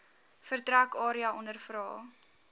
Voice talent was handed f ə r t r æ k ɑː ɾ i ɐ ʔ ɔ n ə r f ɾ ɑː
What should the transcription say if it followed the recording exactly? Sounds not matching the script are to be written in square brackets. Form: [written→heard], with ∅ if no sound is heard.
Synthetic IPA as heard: f ə r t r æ k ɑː ɾ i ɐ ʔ ɔ n ə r f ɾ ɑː